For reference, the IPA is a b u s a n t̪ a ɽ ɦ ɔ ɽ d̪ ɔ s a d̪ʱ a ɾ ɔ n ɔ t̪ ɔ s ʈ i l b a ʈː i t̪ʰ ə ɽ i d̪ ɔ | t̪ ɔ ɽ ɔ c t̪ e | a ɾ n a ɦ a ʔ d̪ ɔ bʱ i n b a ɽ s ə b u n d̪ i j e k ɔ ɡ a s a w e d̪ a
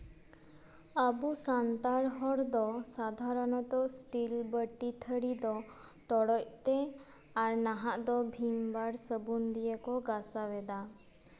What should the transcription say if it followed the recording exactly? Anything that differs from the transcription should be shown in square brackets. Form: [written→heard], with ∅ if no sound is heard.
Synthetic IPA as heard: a b u s a n t̪ a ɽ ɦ ɔ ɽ d̪ ɔ s a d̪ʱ a ɾ ɔ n ɔ t̪ ɔ s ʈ i l b [a→ə] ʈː i t̪ʰ ə ɽ i d̪ ɔ | t̪ ɔ ɽ ɔ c t̪ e | a ɾ n a ɦ a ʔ d̪ ɔ bʱ i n b a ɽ s ə b u n d̪ i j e k ɔ ɡ a s a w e d̪ a

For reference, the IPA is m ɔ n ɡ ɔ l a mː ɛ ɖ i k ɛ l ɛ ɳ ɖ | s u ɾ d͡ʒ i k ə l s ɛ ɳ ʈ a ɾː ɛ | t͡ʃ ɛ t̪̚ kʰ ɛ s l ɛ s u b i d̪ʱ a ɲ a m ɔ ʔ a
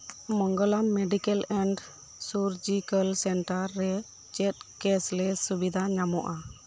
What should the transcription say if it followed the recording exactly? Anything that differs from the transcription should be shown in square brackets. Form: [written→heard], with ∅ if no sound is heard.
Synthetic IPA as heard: m ɔ [n→ŋ] ɡ ɔ l a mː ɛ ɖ i k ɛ l ɛ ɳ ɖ | s u ɾ d͡ʒ i k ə l s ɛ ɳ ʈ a ɾː ɛ | t͡ʃ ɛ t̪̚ [kʰ→k] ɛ s l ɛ s u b i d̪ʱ a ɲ a m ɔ ʔ a

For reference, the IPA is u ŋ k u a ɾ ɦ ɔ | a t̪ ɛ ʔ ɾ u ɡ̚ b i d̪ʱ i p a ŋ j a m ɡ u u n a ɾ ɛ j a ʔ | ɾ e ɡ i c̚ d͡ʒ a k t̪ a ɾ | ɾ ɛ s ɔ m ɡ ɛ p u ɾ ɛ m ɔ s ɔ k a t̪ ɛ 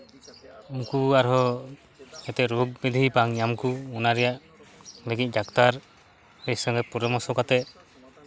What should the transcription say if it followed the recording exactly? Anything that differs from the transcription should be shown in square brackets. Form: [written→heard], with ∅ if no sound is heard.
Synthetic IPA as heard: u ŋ k u a ɾ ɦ ɔ | [a→ɛ] t̪ ɛ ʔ ɾ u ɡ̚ b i d̪ʱ i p a ŋ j a m [ɡ→k] u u n a ɾ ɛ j a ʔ | [ɾ→l] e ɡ i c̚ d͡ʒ a k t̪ a ɾ | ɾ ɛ s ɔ [m→ŋ] ɡ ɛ p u ɾ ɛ m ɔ s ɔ k a t̪ ɛ

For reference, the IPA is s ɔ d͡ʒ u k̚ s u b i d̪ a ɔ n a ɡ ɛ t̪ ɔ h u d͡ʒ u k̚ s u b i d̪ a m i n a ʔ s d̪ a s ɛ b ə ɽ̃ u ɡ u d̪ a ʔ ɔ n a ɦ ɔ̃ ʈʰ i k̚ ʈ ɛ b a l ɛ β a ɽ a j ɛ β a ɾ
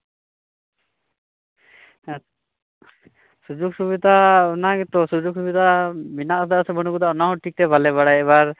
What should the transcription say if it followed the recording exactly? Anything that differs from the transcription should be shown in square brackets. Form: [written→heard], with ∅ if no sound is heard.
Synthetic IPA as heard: s [ɔ→u] d͡ʒ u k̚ s u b i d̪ a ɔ n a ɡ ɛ t̪ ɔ [h→s] u d͡ʒ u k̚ s u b i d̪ a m i n a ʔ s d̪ a s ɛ b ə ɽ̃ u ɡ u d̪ a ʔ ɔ n a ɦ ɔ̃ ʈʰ i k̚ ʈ ɛ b a l ɛ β a ɽ a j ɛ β a ɾ

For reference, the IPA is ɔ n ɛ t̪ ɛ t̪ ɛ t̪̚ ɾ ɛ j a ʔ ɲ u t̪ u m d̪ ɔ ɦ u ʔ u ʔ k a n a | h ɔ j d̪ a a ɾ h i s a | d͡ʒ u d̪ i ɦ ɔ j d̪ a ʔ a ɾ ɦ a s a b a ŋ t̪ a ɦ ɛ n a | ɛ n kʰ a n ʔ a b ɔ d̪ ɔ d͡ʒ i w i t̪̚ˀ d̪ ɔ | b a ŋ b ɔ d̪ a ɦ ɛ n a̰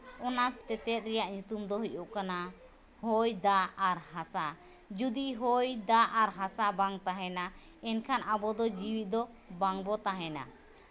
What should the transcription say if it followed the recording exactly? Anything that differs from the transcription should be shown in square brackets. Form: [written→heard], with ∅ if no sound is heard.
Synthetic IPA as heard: ɔ n [ɛ→a] t̪ ɛ t̪ ɛ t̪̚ ɾ ɛ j a ʔ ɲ u t̪ u m d̪ ɔ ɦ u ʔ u ʔ k a n a | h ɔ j d̪ a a ɾ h [i→a] s a | d͡ʒ u d̪ i ɦ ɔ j d̪ a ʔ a ɾ ɦ a s a b a ŋ t̪ a ɦ ɛ n a | ɛ n kʰ a n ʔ a b ɔ d̪ ɔ d͡ʒ i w i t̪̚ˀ d̪ ɔ | b a ŋ b ɔ [d̪→t̪] a ɦ ɛ n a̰

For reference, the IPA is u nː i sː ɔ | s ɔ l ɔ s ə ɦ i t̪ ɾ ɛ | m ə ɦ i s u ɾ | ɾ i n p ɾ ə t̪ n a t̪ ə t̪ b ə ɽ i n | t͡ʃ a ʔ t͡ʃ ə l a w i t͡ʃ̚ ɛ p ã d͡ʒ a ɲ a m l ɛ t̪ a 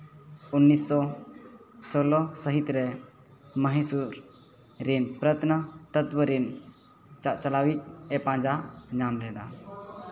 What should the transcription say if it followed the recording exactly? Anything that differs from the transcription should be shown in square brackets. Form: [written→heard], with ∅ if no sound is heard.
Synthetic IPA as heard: u nː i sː ɔ | s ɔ l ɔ s ə ɦ i t̪ ɾ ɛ | m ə ɦ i s u ɾ | ɾ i n p ɾ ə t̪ n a t̪ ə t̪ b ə [ɽ→ɾ] i n | t͡ʃ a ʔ t͡ʃ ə l a w i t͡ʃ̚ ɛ p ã d͡ʒ a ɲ a m l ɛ [t̪→d̪] a

